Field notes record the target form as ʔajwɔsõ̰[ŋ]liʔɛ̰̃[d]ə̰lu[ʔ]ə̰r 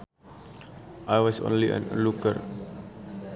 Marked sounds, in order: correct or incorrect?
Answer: incorrect, incorrect, incorrect

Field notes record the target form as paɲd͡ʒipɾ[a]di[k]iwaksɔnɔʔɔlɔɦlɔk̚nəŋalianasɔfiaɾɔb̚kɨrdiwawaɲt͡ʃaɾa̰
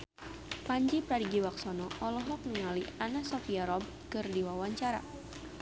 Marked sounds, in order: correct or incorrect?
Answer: correct, incorrect

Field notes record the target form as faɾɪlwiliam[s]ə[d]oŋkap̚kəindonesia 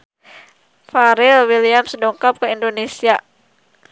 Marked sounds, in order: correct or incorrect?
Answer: correct, correct

